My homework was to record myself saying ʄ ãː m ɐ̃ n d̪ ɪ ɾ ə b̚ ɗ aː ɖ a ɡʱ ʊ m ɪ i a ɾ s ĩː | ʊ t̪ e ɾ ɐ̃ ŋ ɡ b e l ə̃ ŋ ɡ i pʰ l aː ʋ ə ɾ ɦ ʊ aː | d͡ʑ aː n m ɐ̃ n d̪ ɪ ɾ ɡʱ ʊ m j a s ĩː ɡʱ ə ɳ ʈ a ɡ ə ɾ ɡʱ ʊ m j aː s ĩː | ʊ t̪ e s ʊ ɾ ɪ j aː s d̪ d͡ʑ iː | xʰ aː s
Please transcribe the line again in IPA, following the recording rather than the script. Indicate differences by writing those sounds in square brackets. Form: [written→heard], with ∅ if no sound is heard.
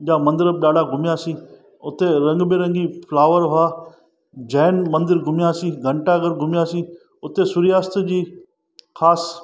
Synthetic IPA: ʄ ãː m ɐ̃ n d̪ ɪ ɾ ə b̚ ɗ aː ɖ a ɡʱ ʊ m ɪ [i→j] a [ɾ→∅] s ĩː | ʊ t̪ e ɾ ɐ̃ ŋ ɡ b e [l→ɾ] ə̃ ŋ ɡ i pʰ l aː ʋ ə ɾ ɦ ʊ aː | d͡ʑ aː n m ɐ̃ n d̪ ɪ ɾ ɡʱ ʊ m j a s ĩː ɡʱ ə ɳ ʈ a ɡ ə ɾ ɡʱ ʊ m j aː s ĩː | ʊ t̪ e s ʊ ɾ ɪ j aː s [d̪→t̪] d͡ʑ iː | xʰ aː s